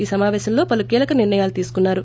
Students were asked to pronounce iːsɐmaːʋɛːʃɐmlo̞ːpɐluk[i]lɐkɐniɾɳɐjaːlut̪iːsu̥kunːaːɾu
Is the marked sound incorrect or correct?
incorrect